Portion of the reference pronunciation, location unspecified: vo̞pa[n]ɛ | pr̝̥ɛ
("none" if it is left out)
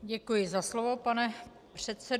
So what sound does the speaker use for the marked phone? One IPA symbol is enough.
n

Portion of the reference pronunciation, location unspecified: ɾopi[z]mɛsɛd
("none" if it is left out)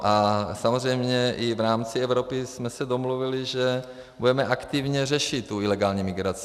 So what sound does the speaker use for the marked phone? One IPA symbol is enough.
s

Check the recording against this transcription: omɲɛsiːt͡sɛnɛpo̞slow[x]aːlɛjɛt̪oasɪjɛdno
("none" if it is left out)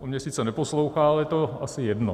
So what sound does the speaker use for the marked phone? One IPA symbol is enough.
x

